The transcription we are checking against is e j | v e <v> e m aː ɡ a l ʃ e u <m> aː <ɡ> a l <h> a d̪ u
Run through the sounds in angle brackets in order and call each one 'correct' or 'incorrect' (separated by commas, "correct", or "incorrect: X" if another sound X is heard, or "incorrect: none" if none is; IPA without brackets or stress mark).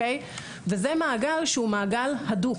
incorrect: z, correct, correct, correct